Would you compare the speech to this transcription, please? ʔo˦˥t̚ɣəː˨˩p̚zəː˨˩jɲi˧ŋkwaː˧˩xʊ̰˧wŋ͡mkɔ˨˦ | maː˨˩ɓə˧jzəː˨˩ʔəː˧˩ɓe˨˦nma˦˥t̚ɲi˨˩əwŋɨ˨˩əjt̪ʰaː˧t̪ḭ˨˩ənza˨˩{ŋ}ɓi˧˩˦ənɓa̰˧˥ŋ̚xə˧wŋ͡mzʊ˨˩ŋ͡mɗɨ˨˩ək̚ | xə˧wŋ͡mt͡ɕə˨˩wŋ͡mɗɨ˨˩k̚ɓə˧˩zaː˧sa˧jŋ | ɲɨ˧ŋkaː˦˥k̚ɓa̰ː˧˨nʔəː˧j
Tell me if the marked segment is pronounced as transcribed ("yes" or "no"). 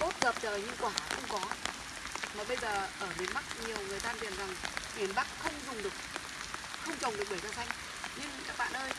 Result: yes